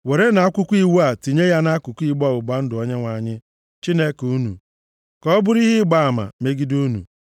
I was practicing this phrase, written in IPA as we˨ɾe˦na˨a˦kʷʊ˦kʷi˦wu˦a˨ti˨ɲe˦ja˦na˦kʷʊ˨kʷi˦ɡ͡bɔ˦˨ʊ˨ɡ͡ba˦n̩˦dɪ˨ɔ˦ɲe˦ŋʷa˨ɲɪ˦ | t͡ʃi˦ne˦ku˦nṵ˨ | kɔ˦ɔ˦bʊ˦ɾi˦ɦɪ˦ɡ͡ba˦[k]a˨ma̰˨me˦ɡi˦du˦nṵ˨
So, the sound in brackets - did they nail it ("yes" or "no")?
no